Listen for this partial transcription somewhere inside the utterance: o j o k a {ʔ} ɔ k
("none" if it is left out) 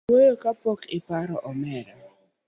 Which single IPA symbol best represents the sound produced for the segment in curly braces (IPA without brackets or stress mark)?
p